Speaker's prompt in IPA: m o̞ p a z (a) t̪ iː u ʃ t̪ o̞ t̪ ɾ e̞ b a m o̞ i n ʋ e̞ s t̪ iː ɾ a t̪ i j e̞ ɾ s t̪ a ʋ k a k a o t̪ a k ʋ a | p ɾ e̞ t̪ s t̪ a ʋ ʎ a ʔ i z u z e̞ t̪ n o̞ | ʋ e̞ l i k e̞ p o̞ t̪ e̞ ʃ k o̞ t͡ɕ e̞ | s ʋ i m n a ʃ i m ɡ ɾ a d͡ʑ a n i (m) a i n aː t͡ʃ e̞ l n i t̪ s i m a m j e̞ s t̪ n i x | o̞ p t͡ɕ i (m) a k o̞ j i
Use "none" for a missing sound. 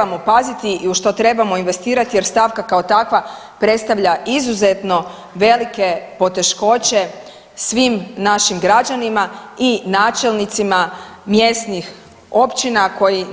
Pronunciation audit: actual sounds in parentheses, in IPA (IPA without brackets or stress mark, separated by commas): i, m, n